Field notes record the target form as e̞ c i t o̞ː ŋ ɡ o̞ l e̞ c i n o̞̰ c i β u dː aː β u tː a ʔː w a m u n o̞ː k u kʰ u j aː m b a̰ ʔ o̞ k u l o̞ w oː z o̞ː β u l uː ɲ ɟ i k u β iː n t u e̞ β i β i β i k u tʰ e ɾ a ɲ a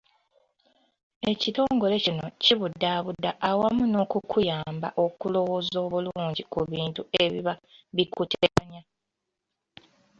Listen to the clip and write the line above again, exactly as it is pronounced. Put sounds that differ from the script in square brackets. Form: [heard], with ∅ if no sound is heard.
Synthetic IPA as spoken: e̞ c i t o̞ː ŋ ɡ o̞ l e̞ c i n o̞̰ c i β u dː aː β u [dː] a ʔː w a m u n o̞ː k u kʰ u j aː m b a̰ ʔ o̞ k u l o̞ w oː z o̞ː β u l uː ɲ ɟ i k u β iː n t u e̞ β i β [a] β i k u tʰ e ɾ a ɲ a